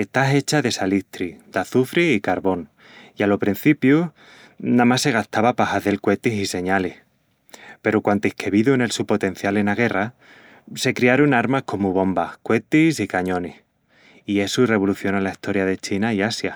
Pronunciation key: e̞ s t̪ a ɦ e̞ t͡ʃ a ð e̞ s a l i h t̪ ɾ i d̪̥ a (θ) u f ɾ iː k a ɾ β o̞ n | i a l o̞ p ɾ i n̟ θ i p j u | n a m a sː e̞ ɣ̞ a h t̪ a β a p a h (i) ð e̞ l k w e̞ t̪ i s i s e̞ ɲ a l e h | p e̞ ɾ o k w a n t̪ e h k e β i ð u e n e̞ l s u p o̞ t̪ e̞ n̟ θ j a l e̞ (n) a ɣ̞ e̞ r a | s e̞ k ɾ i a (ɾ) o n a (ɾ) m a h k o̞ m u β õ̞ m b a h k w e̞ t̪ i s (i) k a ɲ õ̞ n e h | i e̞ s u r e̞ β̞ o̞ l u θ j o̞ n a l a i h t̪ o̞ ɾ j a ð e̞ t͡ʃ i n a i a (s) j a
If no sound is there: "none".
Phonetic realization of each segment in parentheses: θ, a, n, ɾ, ɾ, i, s

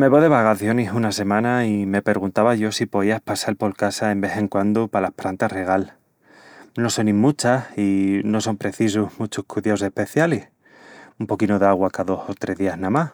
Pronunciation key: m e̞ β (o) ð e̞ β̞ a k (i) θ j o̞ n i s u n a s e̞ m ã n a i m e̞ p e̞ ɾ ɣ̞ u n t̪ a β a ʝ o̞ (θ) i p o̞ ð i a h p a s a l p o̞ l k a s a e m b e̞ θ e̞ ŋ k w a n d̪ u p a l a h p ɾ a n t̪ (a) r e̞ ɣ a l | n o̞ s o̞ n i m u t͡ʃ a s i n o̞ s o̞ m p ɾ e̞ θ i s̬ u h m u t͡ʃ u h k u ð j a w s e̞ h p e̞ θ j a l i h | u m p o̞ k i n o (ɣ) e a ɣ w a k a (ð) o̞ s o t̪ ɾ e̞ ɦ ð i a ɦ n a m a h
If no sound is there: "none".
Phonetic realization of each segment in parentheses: o, a, s, a, ð, ð

